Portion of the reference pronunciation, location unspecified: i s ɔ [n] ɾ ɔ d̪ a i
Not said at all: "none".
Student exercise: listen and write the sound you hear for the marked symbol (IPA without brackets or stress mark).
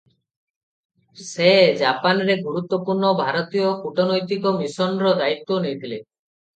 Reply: n